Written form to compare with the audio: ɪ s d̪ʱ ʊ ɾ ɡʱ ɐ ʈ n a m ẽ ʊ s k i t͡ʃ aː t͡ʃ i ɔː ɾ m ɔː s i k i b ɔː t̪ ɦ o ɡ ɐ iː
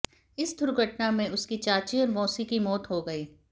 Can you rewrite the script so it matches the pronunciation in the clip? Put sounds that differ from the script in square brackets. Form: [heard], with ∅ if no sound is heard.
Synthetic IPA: ɪ s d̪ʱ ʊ ɾ ɡʱ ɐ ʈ n a m ẽ ʊ s k i t͡ʃ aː t͡ʃ i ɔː ɾ m ɔː s i k i [m] ɔː t̪ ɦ o ɡ ɐ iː